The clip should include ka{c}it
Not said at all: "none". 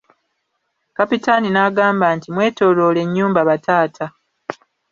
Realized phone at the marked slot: p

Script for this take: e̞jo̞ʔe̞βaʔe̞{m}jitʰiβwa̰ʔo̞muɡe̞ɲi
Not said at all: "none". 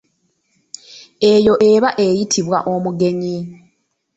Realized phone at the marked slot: none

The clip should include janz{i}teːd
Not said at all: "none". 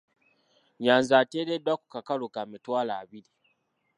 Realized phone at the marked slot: a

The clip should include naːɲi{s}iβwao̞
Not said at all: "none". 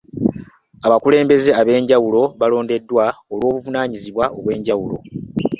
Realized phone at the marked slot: z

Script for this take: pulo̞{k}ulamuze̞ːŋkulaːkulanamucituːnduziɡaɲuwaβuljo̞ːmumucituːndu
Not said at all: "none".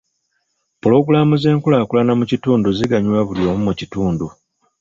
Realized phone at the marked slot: ɡ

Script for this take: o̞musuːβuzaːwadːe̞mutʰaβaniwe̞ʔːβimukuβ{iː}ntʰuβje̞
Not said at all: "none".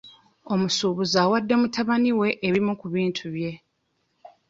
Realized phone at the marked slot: iː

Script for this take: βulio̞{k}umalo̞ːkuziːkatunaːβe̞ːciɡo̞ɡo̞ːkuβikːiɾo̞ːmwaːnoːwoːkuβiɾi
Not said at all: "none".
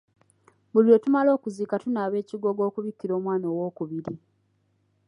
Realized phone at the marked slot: t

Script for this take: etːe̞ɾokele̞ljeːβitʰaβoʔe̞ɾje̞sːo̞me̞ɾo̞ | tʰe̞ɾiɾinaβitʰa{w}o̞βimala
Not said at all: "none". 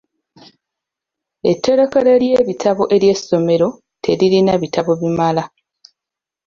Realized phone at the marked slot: β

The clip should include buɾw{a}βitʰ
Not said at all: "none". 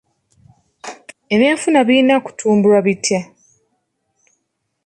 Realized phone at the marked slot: a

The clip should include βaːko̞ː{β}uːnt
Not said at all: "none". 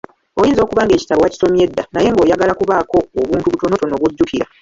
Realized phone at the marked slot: β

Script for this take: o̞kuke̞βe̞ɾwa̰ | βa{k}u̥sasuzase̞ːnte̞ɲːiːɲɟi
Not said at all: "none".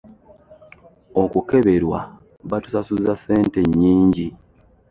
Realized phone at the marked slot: t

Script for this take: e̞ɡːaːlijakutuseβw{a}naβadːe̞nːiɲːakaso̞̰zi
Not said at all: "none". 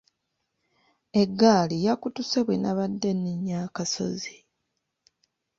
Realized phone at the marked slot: e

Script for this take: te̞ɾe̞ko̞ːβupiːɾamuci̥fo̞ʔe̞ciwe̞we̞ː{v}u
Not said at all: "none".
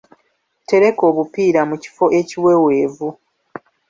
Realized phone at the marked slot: v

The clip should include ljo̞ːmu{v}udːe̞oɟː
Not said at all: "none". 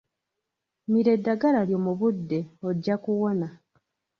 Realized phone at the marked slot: β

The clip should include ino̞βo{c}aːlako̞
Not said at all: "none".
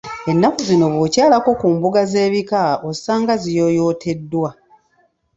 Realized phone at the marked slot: c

